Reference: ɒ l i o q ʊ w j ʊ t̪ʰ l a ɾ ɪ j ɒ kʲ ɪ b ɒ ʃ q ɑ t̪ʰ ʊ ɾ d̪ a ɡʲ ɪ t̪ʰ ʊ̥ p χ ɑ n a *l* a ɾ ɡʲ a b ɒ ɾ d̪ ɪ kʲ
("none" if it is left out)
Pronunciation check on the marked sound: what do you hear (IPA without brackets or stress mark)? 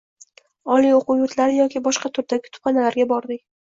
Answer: l